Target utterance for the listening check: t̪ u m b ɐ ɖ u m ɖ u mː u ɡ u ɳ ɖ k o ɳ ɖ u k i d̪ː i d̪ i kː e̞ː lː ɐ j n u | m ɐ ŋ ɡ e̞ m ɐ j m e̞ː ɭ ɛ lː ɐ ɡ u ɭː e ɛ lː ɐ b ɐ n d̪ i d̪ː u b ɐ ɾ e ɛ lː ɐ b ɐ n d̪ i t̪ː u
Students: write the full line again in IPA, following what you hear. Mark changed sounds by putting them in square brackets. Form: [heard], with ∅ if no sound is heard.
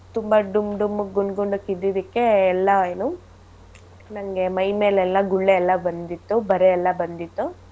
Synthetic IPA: t̪ u m b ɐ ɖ u m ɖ u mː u ɡ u ɳ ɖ [ɡ] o ɳ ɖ u k i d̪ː i d̪ i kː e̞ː lː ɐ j n u | [n] ɐ ŋ ɡ e̞ m ɐ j m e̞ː [l] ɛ lː ɐ ɡ u ɭː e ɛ lː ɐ b ɐ n d̪ i [t̪ː] u b ɐ ɾ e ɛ lː ɐ b ɐ n d̪ i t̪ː u